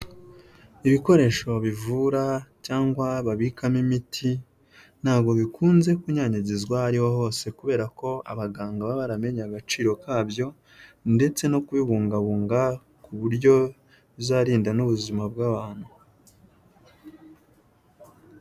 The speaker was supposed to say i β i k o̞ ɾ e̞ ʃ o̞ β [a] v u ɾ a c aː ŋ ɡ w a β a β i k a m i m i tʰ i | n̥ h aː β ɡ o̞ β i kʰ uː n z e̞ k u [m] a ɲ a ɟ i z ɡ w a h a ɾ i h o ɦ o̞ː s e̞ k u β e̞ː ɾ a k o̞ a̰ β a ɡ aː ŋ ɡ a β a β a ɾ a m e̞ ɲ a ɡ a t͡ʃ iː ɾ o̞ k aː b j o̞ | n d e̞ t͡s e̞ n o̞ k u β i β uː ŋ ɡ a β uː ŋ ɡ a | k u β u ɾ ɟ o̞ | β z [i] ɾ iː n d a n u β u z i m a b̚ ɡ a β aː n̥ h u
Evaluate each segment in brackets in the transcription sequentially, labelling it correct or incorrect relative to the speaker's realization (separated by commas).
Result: incorrect, incorrect, incorrect